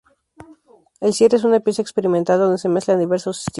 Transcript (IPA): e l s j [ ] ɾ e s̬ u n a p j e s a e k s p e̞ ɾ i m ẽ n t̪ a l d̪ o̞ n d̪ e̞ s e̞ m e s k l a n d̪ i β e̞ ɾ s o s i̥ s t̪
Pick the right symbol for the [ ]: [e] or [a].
e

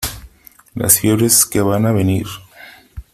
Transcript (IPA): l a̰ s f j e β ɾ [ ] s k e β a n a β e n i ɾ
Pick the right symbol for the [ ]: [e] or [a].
e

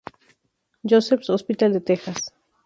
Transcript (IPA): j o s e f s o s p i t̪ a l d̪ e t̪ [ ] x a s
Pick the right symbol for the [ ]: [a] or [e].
e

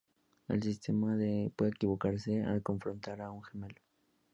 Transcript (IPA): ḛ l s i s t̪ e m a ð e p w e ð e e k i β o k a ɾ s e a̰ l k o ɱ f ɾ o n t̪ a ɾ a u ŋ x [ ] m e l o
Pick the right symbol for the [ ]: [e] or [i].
e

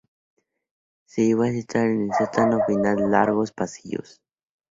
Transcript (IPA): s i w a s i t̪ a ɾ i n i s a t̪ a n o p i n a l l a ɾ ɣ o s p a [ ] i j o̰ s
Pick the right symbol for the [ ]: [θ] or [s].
s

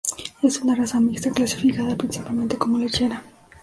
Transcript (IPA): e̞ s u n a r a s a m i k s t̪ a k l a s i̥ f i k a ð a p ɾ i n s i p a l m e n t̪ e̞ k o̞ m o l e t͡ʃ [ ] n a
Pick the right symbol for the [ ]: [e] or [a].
e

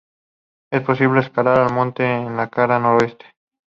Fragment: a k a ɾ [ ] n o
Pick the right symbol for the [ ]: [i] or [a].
a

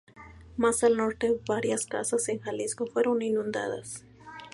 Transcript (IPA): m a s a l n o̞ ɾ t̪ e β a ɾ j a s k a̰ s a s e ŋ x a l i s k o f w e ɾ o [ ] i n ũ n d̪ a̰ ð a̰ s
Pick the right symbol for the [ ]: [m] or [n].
n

